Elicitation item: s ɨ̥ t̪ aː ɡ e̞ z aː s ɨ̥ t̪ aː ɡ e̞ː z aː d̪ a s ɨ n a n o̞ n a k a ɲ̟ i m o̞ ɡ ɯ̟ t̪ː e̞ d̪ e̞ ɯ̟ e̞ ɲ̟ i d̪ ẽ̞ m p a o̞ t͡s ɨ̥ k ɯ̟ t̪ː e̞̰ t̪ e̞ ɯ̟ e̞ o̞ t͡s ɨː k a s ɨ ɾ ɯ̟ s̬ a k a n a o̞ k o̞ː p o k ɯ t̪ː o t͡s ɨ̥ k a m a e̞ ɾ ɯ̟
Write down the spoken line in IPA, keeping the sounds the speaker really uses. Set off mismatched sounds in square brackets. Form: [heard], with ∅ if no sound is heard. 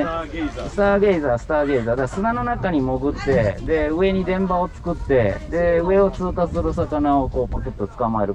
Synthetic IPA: s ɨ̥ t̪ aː ɡ e̞ z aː s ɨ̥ t̪ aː ɡ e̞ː z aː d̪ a s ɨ n a n o̞ n a k a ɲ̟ i m o̞ ɡ ɯ̟ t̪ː e̞ d̪ e̞ ɯ̟ e̞ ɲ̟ i d̪ ẽ̞ m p a o̞ t͡s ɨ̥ k ɯ̟ t̪ː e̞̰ [d̪] e̞ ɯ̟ e̞ o̞ t͡s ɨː k a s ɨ ɾ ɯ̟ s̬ a k a n a o̞ k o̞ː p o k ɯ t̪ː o t͡s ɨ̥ k a m a e̞ ɾ ɯ̟